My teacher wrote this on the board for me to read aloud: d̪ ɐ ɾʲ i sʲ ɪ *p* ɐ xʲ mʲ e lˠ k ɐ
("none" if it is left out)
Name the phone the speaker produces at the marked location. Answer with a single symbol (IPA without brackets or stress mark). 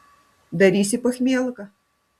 p